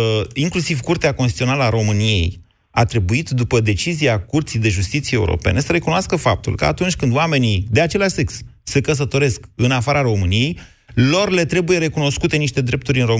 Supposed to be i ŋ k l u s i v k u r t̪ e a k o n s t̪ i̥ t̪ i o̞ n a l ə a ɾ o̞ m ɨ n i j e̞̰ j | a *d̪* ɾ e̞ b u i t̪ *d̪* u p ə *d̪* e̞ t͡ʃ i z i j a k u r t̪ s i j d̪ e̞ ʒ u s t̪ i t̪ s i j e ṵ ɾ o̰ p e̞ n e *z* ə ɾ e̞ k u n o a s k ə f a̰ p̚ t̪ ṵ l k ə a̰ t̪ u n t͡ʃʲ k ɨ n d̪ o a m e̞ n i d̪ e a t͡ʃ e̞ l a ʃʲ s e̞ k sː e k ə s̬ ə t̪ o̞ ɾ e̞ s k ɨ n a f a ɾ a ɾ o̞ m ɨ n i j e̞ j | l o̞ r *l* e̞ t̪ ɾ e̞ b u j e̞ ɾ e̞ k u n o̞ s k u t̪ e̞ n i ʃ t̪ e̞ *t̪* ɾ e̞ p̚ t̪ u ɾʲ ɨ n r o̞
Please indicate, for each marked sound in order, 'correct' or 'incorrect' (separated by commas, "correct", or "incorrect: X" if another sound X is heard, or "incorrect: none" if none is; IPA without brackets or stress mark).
incorrect: t̪, correct, correct, incorrect: s, correct, incorrect: d̪